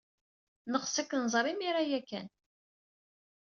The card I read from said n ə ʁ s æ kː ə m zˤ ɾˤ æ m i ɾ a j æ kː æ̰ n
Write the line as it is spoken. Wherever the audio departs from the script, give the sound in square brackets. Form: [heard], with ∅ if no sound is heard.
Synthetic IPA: n ə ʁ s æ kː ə [n] zˤ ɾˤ [i] m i ɾ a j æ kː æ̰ n